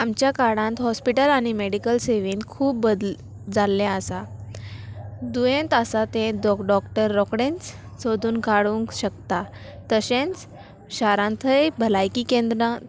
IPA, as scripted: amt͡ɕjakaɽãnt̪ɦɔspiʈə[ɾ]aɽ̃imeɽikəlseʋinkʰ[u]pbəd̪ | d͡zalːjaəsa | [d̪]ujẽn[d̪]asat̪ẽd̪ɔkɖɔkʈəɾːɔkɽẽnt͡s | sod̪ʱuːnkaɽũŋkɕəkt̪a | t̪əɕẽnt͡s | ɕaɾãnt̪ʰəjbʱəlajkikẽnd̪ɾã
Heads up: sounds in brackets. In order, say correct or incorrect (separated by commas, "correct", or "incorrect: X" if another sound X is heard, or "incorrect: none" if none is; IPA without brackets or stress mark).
incorrect: l, incorrect: uː, correct, incorrect: t̪